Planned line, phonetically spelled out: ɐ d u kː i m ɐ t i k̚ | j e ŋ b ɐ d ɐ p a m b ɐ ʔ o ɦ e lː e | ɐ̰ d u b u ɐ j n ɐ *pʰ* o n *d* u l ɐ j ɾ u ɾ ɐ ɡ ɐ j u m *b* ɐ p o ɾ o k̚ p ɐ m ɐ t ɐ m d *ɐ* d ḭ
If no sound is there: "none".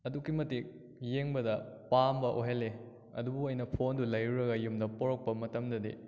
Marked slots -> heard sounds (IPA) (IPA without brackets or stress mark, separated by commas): pʰ, d, d, ɐ